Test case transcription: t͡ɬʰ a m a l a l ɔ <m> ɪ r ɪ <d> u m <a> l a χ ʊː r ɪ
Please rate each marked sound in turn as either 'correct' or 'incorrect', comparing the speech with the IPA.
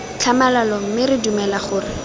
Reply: correct, correct, incorrect

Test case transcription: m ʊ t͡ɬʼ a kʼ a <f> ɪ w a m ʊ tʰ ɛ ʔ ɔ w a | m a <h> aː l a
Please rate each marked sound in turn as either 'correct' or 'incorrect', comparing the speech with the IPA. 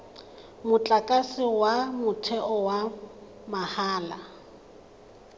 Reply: incorrect, correct

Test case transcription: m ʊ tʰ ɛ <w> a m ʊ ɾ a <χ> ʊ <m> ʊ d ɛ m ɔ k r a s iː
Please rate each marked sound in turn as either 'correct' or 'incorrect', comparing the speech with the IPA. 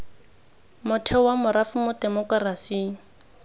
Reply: correct, incorrect, correct

